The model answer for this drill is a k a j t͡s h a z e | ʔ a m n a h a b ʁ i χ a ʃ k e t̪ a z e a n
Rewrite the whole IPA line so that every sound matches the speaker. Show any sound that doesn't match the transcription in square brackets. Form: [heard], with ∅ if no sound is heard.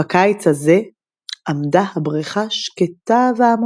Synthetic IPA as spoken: a k a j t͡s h a z e | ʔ a m [d] a h a b ʁ i χ a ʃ k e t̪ a [v] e a [m]